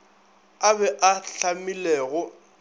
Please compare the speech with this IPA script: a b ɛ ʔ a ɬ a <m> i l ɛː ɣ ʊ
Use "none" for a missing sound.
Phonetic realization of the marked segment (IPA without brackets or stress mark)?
m